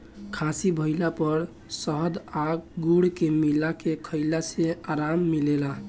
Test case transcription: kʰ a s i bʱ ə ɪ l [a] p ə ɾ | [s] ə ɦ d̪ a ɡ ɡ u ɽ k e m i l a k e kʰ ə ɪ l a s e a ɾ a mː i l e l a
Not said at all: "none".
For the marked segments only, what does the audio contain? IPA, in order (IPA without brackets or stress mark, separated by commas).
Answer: a, s